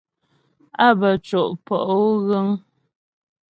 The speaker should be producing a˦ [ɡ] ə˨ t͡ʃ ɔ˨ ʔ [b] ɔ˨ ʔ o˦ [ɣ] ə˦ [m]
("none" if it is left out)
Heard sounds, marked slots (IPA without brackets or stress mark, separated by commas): b, p, ɣ, ŋ